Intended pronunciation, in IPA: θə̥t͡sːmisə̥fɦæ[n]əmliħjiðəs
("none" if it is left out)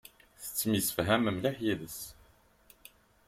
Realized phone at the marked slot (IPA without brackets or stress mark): m